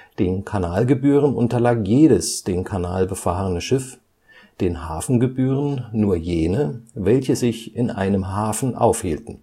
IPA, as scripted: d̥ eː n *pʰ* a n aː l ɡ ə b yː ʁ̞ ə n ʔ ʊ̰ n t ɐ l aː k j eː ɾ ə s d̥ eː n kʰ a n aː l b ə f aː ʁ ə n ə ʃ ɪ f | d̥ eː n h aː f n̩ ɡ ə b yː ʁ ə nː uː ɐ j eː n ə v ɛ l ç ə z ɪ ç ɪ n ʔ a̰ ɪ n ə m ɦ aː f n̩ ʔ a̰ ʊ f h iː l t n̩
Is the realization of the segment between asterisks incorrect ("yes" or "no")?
yes